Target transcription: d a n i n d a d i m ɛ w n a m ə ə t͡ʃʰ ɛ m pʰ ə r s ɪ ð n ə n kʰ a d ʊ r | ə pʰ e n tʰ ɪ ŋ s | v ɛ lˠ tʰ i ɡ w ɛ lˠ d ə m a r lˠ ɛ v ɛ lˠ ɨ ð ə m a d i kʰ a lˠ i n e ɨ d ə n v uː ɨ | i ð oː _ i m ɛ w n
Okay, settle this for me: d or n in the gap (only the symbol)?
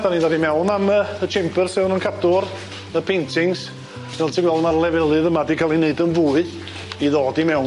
d